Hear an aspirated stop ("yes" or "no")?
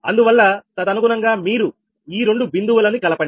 no